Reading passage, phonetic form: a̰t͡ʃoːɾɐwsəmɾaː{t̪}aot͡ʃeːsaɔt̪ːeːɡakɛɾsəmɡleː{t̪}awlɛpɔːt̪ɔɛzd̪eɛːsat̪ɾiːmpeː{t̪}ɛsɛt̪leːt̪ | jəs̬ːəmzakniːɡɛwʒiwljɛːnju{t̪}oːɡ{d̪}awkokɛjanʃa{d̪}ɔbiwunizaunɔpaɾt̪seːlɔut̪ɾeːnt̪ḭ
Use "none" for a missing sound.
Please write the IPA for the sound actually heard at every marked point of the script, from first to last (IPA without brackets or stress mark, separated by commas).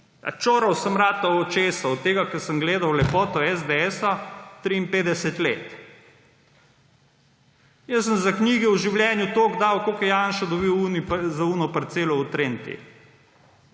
t̪, d̪, d̪, t̪, d̪, d̪